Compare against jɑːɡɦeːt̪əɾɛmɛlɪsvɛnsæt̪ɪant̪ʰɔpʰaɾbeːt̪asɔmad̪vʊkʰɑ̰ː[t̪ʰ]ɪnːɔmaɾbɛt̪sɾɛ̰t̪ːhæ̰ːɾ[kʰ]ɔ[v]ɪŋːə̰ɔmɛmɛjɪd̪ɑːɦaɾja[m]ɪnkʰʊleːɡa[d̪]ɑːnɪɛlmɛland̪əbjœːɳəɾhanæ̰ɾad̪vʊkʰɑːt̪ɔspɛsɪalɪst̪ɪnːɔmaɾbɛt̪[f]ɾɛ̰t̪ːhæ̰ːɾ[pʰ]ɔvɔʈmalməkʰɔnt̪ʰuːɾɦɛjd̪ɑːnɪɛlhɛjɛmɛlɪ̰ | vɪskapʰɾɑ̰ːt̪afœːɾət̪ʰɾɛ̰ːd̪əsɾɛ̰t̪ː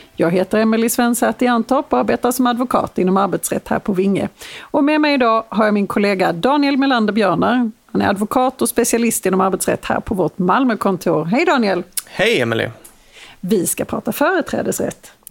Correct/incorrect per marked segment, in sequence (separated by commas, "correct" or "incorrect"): incorrect, incorrect, correct, correct, correct, incorrect, correct